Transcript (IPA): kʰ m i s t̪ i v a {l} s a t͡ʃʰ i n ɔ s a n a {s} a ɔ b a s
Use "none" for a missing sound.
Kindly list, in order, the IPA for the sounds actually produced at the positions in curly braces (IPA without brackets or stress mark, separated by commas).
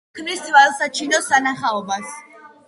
l, χ